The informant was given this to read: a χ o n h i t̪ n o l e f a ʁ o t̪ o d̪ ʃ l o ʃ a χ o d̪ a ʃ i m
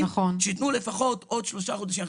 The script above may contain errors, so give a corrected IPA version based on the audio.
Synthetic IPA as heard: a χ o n ʃ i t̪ n u l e f a χ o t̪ o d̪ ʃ l o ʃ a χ o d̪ a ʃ i m